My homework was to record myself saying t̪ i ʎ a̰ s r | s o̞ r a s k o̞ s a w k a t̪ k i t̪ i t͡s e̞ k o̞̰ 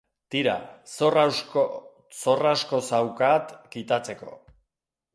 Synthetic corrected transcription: t̪ i ɾ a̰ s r | s o̞ r a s k o̞ s a w k a t̪ k i t̪ a t͡s e̞ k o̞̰